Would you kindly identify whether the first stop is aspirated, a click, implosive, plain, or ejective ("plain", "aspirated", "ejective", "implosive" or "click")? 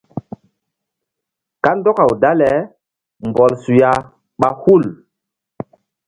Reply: plain